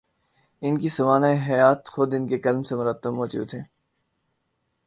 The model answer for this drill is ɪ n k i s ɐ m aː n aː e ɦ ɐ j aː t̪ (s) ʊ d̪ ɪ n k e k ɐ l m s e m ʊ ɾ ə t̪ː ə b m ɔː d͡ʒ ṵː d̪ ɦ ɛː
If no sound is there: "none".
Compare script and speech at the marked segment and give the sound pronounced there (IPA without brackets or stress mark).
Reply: x